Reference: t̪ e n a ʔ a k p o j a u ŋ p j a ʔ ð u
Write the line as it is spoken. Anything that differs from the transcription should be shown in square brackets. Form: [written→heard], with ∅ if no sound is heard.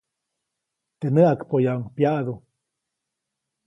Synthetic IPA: t̪ e n [a→ə] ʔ a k p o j a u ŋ p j a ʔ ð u